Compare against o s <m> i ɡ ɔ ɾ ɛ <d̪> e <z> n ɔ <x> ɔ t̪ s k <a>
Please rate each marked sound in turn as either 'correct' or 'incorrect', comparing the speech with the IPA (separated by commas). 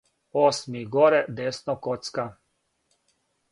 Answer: correct, correct, incorrect, incorrect, correct